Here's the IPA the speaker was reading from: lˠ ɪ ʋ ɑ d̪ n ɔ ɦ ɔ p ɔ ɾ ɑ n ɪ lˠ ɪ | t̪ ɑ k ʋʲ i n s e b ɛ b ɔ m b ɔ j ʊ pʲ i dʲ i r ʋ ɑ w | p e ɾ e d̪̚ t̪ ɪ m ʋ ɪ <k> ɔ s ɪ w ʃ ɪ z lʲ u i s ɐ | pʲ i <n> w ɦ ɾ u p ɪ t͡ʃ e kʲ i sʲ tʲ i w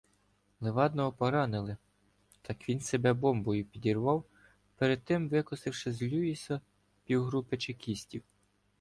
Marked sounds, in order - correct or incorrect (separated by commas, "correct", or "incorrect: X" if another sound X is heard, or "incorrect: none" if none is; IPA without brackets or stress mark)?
correct, incorrect: none